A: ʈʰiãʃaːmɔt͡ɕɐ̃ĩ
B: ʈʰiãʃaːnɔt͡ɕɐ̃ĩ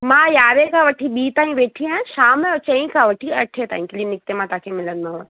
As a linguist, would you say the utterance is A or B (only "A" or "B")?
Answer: A